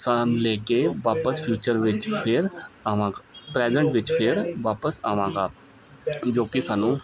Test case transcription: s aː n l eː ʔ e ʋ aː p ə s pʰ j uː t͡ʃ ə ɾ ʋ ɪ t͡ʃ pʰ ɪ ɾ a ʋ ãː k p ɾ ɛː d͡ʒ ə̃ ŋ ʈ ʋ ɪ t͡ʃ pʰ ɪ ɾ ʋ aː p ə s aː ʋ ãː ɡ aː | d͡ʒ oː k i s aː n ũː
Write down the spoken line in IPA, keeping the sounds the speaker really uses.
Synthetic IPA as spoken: s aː n l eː k e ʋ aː p ə s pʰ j uː t͡ʃ ə ɾ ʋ ɪ t͡ʃ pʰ ɪ ɾ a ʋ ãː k p ɾ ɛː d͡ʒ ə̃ ɳ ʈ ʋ ɪ t͡ʃ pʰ ɪ ɾ ʋ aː p ə s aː ʋ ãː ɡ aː | d͡ʒ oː k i s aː n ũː